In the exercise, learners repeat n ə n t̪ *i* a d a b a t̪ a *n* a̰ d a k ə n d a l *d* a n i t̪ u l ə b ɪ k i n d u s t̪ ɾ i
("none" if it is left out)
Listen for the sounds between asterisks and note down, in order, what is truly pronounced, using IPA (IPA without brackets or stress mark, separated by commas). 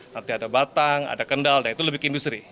i, ŋ, d